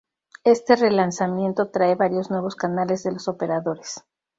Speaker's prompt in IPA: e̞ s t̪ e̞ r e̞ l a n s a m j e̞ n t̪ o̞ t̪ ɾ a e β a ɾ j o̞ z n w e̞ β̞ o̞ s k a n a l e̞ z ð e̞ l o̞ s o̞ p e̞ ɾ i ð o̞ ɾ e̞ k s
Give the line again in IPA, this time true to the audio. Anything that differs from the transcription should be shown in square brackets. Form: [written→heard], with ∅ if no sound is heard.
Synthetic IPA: e̞ s t̪ e̞ r e̞ l a n s a m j e̞ n t̪ o̞ t̪ ɾ a e β a ɾ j o̞ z n w e̞ β̞ o̞ s k a n a l e̞ z ð e̞ l o̞ s o̞ p e̞ ɾ [i→a] ð o̞ ɾ e̞ [k→∅] s